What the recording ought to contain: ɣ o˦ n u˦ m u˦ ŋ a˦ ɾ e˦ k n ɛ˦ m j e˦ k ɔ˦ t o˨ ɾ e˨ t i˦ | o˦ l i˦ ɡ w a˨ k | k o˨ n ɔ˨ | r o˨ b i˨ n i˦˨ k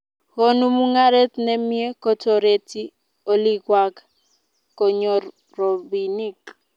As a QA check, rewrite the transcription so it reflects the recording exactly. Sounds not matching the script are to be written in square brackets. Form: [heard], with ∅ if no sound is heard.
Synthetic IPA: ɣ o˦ n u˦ m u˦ ŋ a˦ ɾ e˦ [t] n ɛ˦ m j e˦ k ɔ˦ t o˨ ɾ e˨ t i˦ | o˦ l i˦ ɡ w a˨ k | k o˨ [ɲ] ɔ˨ | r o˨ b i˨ n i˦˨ k